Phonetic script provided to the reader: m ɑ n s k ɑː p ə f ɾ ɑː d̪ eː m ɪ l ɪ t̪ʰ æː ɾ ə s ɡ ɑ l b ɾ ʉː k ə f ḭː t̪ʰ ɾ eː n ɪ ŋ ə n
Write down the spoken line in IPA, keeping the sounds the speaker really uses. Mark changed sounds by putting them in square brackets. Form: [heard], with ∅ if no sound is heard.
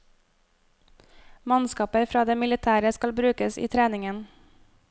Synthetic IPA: m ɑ n s k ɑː p ə f ɾ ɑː d̪ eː m ɪ l ɪ t̪ʰ æː ɾ ə s [k] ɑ l b ɾ ʉː k ə [s] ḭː t̪ʰ ɾ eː n ɪ ŋ ə n